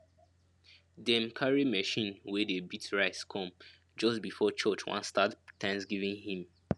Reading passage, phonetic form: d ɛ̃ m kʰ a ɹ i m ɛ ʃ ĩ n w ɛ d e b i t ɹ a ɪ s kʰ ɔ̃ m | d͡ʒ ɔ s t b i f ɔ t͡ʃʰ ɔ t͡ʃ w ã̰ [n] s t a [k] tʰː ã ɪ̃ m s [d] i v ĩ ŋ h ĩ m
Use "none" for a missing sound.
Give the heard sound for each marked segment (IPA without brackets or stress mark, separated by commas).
n, t, ɡ